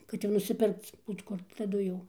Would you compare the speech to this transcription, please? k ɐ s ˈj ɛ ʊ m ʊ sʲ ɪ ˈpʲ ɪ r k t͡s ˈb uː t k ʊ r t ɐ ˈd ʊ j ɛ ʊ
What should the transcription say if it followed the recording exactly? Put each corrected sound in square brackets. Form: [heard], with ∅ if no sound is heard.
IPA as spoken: k ɐ [t] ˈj ɛ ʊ [n] ʊ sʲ ɪ ˈpʲ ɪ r k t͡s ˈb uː t k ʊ r t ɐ ˈd ʊ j ɛ ʊ